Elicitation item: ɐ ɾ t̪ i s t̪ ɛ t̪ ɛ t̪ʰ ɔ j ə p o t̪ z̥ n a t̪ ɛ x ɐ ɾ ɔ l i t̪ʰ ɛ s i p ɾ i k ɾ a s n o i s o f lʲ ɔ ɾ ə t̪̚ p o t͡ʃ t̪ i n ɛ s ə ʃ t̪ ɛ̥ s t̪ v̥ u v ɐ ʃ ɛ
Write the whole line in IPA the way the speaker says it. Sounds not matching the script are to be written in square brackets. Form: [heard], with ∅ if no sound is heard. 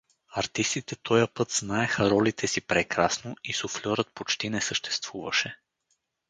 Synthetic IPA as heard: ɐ ɾ t̪ i s t̪ [i] t̪ ɛ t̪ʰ ɔ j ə p [ɤ] t̪ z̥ n a [∅] ɛ x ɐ ɾ ɔ l i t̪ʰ ɛ s i p ɾ [ɛ] k ɾ a s n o i s o f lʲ ɔ ɾ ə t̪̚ p o t͡ʃ t̪ i n ɛ s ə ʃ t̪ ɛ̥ s t̪ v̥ u v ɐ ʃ ɛ